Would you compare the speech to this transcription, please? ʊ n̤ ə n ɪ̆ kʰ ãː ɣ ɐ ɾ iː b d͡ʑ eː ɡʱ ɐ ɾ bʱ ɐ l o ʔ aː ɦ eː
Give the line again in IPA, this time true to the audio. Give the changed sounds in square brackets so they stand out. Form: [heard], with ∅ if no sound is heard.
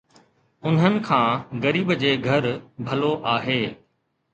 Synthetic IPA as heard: ʊ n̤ ə n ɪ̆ kʰ ãː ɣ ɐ ɾ iː b d͡ʑ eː ɡʱ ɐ ɾ bʱ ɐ l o ʔ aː ɦ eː